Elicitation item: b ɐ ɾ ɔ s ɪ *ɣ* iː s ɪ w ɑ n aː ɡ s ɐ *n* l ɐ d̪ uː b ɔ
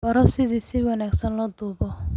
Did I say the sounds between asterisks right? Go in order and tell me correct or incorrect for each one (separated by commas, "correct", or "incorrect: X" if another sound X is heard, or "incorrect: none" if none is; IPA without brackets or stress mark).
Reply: incorrect: ð, correct